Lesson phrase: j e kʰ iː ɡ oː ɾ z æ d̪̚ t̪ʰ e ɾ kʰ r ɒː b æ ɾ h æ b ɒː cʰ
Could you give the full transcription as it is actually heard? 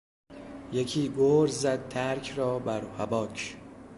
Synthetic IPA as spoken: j e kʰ iː ɡ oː ɾ z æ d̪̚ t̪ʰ æ ɾ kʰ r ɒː b æ ɾ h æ b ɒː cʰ